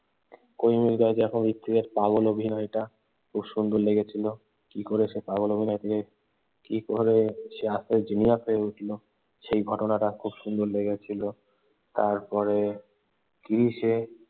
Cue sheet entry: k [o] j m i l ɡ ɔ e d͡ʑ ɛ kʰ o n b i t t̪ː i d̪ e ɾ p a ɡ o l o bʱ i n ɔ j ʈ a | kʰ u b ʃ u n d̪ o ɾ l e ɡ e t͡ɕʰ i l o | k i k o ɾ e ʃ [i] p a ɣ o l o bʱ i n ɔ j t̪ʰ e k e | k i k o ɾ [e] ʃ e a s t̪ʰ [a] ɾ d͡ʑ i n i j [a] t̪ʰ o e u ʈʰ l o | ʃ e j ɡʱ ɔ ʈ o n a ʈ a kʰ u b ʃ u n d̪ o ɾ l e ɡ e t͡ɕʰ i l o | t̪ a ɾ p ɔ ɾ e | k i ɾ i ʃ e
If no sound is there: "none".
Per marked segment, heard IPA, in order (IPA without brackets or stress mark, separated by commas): o, e, e, e, a